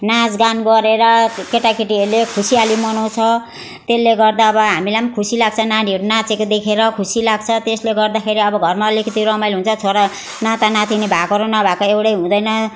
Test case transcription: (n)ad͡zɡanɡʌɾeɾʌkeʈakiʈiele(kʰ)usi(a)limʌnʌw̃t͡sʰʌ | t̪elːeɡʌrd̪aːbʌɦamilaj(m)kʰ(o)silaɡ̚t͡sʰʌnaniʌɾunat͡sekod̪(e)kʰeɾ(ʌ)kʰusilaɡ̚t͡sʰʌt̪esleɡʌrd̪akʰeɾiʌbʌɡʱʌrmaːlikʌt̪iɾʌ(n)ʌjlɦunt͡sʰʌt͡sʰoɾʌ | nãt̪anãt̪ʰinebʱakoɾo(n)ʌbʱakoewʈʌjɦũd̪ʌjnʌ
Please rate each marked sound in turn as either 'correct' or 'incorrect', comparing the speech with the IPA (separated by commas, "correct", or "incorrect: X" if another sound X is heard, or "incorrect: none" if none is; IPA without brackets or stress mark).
correct, correct, correct, correct, incorrect: u, correct, correct, incorrect: m, correct